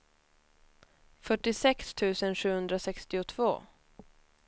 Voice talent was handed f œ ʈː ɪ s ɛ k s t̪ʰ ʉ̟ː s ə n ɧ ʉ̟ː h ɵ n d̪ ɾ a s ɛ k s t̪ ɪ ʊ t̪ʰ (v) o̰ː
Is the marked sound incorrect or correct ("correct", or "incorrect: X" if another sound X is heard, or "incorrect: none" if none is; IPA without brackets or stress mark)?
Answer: correct